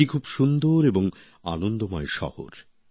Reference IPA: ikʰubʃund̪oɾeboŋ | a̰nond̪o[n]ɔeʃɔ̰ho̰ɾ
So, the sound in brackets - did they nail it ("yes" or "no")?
no